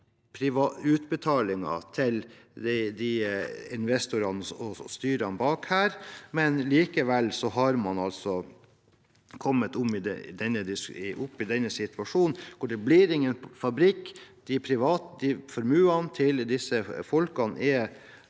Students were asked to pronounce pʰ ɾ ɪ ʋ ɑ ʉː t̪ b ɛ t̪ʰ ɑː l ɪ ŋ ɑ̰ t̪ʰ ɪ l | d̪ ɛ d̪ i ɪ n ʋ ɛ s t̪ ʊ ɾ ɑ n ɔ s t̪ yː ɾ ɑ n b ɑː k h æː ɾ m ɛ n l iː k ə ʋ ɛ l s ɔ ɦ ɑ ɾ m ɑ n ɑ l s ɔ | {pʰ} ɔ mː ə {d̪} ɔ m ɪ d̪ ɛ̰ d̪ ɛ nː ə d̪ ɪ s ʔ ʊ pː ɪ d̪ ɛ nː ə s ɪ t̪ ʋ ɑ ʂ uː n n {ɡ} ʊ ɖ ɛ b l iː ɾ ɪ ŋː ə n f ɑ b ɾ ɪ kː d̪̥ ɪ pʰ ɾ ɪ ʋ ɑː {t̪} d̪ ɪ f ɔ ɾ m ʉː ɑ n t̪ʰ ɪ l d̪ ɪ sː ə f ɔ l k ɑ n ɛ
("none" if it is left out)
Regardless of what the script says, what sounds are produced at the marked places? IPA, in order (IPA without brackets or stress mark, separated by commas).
kʰ, t̪, k, t̪